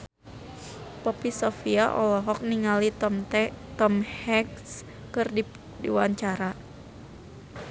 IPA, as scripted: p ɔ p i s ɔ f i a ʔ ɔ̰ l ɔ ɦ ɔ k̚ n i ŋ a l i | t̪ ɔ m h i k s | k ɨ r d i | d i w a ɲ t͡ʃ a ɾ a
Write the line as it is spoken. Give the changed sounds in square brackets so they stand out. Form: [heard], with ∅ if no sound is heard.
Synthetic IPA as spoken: p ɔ p i s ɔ f i a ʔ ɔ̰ l ɔ ɦ ɔ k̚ n i ŋ a l i | t̪ ɔ m h [ɛ] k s | k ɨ r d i | d i w a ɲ t͡ʃ a ɾ a

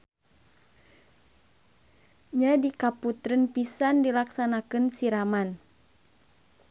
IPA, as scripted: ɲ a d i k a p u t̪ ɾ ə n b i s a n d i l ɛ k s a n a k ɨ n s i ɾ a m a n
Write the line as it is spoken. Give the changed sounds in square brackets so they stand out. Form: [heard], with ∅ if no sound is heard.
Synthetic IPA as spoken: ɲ a d i k a p u t̪ ɾ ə n [p] i s a n d i l [a] k s a n a k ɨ n s i ɾ a m a n

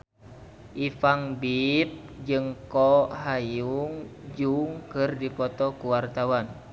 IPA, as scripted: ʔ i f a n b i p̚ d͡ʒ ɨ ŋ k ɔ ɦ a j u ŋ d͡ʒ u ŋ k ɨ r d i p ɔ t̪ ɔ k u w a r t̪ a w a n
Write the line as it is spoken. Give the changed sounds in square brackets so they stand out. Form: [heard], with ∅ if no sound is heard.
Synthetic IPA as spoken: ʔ i f a [ŋ] b i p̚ d͡ʒ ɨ ŋ k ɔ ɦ a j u ŋ d͡ʒ u ŋ k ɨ r d i p ɔ t̪ ɔ k u w a r t̪ a w a n

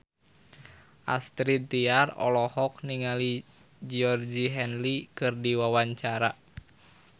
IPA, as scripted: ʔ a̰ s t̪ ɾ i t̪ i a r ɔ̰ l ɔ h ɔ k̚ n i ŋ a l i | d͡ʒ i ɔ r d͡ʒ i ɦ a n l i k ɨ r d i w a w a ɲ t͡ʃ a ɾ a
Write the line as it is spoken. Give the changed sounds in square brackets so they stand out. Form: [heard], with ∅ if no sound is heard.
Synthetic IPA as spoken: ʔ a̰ s t̪ ɾ i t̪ i a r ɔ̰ l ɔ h ɔ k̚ n i ŋ a l i | d͡ʒ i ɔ r d͡ʒ i ɦ [ɛ] n l i k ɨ r d i w a w a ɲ t͡ʃ a ɾ a

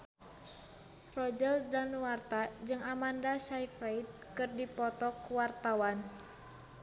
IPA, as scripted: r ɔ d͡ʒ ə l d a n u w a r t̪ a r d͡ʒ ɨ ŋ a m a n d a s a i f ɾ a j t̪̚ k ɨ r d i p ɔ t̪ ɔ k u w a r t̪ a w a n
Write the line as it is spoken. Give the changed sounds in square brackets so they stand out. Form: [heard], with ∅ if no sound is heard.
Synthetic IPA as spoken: r ɔ d͡ʒ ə l d a n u w a r t̪ a [∅] d͡ʒ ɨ ŋ a m a n d a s a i f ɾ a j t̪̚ k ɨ r d i p ɔ t̪ ɔ k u w a r t̪ a w a n

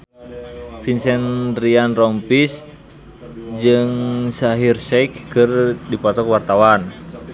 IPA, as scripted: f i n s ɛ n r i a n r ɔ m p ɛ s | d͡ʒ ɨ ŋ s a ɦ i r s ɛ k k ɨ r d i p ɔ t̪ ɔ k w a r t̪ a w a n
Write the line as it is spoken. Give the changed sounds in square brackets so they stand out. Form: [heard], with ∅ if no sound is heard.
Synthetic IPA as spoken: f i n s ɛ n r i a n r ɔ m p [i] s | d͡ʒ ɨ ŋ s a ɦ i r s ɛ k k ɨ r d i p ɔ t̪ ɔ k w a r t̪ a w a n

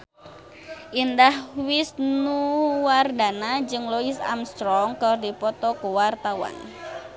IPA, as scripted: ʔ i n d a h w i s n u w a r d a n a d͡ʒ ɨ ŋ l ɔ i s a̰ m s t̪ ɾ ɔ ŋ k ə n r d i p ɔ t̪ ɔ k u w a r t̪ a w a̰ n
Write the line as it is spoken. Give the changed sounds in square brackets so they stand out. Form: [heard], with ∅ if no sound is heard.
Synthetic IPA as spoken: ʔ i n d a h w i s n u w a r d a n a d͡ʒ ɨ ŋ l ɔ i s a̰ m s t̪ ɾ ɔ ŋ k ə [∅] r d i p ɔ t̪ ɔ k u w a r t̪ a w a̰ n

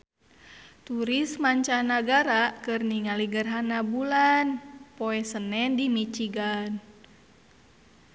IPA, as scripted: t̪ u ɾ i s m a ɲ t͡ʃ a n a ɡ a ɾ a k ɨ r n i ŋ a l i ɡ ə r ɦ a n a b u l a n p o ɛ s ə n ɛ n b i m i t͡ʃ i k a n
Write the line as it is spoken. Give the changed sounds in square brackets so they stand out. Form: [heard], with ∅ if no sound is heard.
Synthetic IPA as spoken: t̪ u ɾ i s m a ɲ t͡ʃ a n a ɡ a ɾ a k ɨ r n i ŋ a l i ɡ ə r ɦ a n a b u l a n p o ɛ s ə n ɛ n [d] i m i t͡ʃ i [ɡ] a n

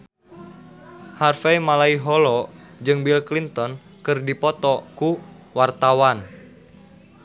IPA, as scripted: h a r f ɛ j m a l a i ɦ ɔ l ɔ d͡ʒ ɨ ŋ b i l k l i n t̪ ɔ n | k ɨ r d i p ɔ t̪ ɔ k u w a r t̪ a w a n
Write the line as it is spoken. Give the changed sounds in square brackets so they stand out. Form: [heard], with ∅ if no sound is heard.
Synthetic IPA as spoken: h a r f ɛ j m a l a i ɦ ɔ l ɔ d͡ʒ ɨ ŋ b i l k l i n t̪ ɔ n | k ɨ r d i p ɔ t̪ ɔ k u w a r t̪ a w a n

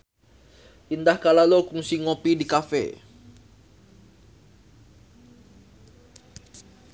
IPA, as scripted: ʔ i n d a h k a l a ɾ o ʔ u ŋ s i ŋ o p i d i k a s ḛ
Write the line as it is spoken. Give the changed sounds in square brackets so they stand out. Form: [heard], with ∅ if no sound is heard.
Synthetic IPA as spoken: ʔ i n d a h k a l a [l] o [k] u ŋ s i ŋ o p i d i k a [f] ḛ

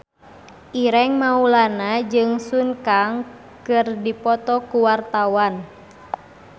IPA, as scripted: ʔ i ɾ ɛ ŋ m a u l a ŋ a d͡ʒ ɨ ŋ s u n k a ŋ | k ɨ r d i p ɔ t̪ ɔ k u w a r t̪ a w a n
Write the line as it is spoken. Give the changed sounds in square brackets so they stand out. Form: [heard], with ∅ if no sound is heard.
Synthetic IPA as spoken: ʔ i ɾ ɛ ŋ m a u l a [n] a d͡ʒ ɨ ŋ s u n k a ŋ | k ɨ r d i p ɔ t̪ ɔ k u w a r t̪ a w a n

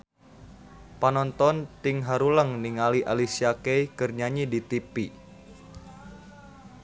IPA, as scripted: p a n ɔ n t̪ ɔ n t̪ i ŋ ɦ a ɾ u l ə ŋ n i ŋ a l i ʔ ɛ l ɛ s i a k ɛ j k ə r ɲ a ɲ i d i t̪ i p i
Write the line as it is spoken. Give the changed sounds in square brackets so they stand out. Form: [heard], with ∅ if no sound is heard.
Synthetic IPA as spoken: p a n ɔ n t̪ ɔ n t̪ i ŋ ɦ a ɾ u l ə ŋ n i ŋ a l i ʔ [a] l [i] s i a k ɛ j k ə r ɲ a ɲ i d i t̪ i p i

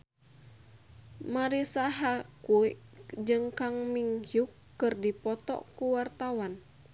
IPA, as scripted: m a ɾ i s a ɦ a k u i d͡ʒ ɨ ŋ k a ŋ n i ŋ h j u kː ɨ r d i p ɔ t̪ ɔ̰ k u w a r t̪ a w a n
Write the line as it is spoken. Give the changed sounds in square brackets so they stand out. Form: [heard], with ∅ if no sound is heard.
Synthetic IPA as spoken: m a ɾ i s a ɦ a k u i d͡ʒ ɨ ŋ k a ŋ [m] i ŋ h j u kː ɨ r d i p ɔ t̪ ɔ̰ k u w a r t̪ a w a n

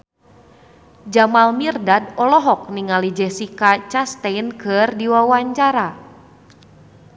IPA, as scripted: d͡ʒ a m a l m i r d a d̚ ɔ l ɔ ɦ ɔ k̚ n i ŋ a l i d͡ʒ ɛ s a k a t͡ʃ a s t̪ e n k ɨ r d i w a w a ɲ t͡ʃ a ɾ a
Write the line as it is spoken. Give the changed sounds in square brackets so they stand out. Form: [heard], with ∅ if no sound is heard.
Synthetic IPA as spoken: d͡ʒ a m a l m i r d a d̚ ɔ l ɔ ɦ ɔ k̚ n i ŋ a l i d͡ʒ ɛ s [i] k a t͡ʃ a s t̪ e n k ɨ r d i w a w a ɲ t͡ʃ a ɾ a

